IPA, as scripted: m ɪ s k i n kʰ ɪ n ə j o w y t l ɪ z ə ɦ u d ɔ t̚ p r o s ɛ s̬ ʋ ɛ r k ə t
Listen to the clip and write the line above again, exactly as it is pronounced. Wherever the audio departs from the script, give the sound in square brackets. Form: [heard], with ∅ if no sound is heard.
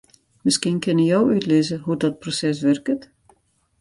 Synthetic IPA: m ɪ s k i n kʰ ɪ n ə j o w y t l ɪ z ə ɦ u d ɔ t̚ p r o s ɛ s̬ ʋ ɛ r k ə t